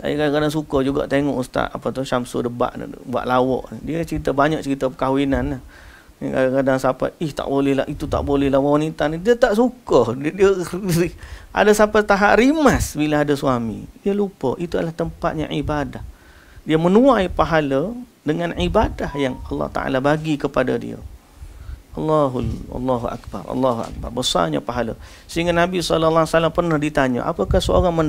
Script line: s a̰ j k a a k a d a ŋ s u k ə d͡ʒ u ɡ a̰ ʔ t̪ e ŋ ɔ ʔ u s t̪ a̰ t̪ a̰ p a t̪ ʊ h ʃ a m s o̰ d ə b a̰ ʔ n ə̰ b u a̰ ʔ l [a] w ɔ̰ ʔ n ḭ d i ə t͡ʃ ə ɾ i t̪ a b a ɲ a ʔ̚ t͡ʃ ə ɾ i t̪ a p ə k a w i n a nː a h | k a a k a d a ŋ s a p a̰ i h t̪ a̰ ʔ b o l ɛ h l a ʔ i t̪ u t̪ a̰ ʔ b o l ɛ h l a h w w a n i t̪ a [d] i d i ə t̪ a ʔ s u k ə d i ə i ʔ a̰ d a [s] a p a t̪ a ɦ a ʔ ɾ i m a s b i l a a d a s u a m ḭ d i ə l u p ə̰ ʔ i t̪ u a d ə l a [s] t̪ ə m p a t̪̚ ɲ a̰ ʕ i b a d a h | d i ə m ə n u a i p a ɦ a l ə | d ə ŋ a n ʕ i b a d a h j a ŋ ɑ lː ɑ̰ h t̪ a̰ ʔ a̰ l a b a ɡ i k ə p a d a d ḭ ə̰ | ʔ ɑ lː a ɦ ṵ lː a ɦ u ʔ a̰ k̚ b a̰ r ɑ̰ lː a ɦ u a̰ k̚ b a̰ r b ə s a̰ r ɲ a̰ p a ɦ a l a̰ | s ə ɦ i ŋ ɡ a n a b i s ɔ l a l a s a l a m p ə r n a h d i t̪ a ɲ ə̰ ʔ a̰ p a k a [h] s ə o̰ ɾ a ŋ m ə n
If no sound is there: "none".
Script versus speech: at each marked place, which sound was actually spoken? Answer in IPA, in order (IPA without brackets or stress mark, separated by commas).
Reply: a, n, s, h, h